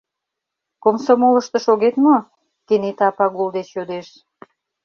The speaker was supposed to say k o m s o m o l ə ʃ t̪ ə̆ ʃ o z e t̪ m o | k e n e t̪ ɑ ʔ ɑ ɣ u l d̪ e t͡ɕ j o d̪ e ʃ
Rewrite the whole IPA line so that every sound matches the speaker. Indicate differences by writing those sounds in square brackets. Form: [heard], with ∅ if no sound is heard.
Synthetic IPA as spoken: k o m s o m o l ə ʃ t̪ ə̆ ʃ o [ɣ] e t̪ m o | k e n e t̪ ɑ [p] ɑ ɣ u l d̪ e t͡ɕ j o d̪ e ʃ